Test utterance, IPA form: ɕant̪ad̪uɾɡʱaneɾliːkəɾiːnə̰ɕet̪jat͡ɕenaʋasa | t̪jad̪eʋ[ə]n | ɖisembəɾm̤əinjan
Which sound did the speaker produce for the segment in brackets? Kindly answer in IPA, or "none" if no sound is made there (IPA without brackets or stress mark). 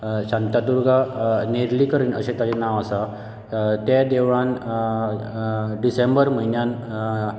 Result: a